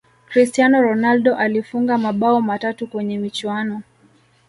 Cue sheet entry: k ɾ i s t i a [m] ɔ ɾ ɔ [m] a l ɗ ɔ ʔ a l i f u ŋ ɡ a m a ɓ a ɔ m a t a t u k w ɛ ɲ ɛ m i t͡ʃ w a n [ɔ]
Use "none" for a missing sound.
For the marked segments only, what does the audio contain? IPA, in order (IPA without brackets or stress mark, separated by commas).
n, n, ɔ